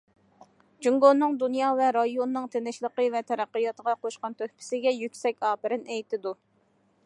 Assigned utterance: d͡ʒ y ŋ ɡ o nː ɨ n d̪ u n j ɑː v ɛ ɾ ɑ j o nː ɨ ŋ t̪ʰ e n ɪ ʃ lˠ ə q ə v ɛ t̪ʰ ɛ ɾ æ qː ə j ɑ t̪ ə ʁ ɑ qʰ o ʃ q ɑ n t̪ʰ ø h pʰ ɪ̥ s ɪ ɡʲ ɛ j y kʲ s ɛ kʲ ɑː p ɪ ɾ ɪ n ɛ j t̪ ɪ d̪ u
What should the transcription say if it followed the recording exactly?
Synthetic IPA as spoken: d͡ʒ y ŋ ɡ o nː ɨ ŋ d̪ u n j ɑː v ɛ ɾ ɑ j o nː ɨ ŋ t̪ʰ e n ɪ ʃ lˠ ə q ə v ɛ t̪ʰ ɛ ɾ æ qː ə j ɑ t̪ ə ʁ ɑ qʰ o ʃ q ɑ n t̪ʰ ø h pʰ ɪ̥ s ɪ ɡʲ ɛ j y kʲ s ɛ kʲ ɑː p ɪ ɾ ɪ n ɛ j t̪ ɪ d̪ u

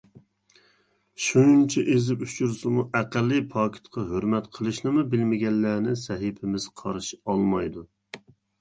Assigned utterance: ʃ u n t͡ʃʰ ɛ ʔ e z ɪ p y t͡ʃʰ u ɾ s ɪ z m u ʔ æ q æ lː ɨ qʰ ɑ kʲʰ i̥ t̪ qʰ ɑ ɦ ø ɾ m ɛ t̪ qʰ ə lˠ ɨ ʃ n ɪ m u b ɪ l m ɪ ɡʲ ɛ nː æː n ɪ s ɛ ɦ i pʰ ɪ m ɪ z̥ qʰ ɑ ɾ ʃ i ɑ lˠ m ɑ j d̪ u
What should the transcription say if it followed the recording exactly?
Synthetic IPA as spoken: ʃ u n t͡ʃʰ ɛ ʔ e z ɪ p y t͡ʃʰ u ɾ s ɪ m u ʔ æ q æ lː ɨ pʰ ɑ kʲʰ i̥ t̪ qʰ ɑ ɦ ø ɾ m ɛ t̪ qʰ ə lˠ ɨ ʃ n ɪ m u b ɪ l m ɪ ɡʲ ɛ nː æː n ɪ s ɛ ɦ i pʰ ɪ m ɪ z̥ qʰ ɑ ɾ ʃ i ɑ lˠ m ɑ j d̪ u

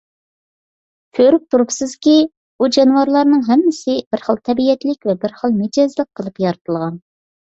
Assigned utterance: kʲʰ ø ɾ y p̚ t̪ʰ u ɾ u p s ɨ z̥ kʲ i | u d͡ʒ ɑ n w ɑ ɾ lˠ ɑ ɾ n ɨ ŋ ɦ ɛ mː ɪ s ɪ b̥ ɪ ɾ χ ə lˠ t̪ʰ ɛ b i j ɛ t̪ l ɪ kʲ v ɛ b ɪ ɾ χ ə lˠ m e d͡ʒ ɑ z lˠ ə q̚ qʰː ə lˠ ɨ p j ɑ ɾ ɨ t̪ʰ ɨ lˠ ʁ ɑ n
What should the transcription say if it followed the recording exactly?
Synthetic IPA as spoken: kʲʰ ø ɾ y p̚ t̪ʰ u ɾ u p s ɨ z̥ kʲ i | u d͡ʒ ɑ n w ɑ ɾ lˠ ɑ ɾ n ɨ ŋ ɦ ɛ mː ɪ s ɪ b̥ ɪ ɾ χ ə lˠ t̪ʰ ɛ b i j ɛ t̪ l ɪ kʲ v ɛ b ɪ ɾ χ ə lˠ m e d͡ʒ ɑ z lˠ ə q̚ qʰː ə lˠ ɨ p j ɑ ɾ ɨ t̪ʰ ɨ lˠ ʁ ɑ n

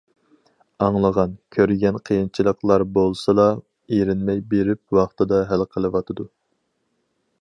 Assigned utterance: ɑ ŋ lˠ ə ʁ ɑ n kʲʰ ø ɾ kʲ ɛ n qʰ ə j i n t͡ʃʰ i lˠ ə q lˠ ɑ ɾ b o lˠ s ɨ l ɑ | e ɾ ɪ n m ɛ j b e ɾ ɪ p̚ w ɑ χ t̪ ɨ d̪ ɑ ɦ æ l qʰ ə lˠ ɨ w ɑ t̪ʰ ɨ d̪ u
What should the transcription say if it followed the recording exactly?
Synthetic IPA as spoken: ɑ ŋ lˠ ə ʁ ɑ n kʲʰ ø ɾ ɡʲ ɛ n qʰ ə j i n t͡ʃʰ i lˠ ə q lˠ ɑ ɾ b o lˠ s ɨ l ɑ | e ɾ ɪ n m ɛ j b e ɾ ɪ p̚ w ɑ χ t̪ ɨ d̪ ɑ ɦ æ l qʰ ə lˠ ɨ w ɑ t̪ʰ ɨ d̪ u

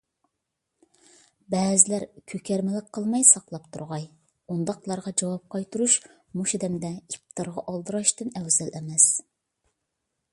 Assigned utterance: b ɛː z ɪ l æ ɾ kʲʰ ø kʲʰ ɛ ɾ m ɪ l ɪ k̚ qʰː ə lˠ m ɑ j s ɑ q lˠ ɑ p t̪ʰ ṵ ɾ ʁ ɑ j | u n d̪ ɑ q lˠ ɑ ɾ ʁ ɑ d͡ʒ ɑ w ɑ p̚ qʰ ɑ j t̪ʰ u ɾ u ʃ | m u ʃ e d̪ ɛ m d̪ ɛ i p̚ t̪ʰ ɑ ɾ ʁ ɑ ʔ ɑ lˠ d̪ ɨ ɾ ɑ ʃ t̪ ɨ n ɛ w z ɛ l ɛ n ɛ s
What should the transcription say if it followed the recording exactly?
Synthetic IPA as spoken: b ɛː z ɪ l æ ɾ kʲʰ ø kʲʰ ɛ ɾ m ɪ l ɪ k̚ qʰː ə lˠ m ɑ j s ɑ q lˠ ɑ p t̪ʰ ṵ ɾ ʁ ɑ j | u n d̪ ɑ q lˠ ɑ ɾ ʁ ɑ d͡ʒ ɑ w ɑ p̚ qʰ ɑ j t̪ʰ u ɾ u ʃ | m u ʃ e d̪ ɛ m d̪ ɛ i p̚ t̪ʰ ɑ ɾ ʁ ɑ ʔ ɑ lˠ d̪ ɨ ɾ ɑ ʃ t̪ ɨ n ɛ w z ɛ l ɛ m ɛ s

